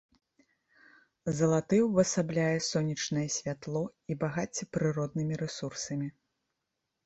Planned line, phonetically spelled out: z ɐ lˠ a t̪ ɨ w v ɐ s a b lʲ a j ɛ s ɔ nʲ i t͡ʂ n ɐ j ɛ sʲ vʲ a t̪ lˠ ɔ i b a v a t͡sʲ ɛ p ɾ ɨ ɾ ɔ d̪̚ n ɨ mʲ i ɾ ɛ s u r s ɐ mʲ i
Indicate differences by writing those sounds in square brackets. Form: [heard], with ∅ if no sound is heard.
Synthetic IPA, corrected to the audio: z ɐ lˠ a t̪ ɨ w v ɐ s a b lʲ a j ɛ s ɔ nʲ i t͡ʂ n ɐ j ɛ sʲ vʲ a t̪ lˠ ɔ i b a [ɣ] a t͡sʲ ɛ p ɾ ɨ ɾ ɔ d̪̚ n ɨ mʲ i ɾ ɛ s u r s ɐ mʲ i